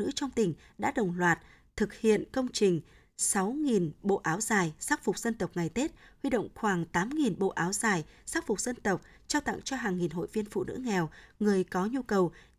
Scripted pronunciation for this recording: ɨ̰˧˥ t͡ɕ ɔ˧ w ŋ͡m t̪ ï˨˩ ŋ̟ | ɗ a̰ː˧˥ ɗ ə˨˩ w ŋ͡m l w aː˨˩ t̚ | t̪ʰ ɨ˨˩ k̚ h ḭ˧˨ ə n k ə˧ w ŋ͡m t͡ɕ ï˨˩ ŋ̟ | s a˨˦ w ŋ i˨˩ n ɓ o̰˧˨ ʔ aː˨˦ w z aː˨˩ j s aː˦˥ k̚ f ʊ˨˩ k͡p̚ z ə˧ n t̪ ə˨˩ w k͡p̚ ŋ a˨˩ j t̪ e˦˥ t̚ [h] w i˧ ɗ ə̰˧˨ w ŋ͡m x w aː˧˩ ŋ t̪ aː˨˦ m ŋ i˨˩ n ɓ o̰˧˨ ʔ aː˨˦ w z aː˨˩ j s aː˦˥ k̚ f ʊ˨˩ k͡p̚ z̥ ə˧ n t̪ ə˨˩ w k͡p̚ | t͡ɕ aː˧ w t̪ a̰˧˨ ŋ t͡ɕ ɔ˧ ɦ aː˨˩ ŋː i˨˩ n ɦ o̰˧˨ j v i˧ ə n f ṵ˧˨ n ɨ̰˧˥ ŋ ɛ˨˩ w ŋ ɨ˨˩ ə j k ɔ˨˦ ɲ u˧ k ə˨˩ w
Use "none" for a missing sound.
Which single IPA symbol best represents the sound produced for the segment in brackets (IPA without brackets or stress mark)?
h